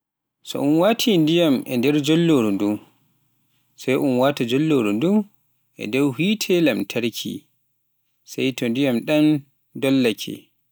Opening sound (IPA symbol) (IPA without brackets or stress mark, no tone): s